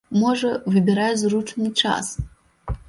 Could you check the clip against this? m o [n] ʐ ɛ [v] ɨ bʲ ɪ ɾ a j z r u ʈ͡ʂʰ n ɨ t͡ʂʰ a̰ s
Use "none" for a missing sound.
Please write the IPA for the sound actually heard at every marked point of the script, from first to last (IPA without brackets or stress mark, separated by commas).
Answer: none, v